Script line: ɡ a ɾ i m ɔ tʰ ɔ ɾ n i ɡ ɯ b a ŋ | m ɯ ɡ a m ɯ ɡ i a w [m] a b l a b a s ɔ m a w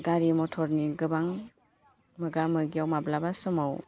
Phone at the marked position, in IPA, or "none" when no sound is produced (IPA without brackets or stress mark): m